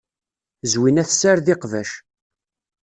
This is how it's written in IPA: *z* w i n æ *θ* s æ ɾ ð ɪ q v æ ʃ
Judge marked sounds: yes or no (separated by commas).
yes, yes